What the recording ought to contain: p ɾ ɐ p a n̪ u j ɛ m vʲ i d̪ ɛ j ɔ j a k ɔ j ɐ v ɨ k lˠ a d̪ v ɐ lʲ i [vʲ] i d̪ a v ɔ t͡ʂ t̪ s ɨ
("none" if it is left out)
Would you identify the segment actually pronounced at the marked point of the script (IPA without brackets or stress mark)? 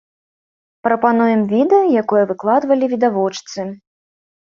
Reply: vʲ